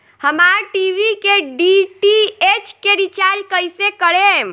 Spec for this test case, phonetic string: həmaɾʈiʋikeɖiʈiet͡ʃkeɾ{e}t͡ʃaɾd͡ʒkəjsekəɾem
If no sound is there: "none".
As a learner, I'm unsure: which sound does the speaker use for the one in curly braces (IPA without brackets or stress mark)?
i